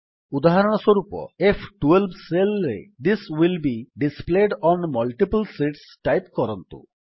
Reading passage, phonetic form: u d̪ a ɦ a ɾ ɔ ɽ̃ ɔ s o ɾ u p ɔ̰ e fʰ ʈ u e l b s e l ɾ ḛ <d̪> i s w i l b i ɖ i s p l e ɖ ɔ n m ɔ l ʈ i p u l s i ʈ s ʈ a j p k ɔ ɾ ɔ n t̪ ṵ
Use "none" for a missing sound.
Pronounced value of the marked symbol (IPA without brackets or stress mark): d̪